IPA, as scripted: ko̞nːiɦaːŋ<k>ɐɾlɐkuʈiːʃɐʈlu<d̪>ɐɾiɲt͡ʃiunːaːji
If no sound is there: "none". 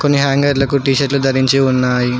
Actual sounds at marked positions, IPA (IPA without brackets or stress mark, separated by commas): ɡ, d̪